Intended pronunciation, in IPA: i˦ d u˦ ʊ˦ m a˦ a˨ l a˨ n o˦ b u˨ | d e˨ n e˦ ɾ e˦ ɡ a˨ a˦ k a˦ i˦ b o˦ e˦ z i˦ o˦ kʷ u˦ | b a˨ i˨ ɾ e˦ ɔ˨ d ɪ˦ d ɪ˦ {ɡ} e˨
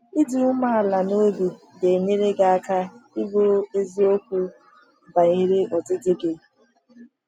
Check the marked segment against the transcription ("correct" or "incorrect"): correct